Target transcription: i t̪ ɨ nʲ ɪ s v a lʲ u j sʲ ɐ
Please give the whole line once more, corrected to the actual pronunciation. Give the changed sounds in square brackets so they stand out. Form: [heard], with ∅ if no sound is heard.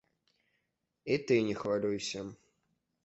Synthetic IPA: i t̪ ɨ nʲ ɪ [x] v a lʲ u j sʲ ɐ